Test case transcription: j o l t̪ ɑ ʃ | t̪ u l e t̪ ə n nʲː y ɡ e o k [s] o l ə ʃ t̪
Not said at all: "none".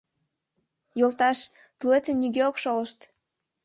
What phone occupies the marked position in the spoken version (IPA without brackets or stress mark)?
ʃ